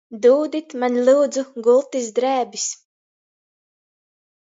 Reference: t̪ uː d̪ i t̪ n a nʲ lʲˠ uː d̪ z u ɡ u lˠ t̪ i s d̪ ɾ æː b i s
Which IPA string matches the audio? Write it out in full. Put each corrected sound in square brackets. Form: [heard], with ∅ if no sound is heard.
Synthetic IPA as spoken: [d̪] uː d̪ i t̪ [m] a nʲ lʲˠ uː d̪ z u ɡ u lˠ t̪ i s d̪ ɾ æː b i s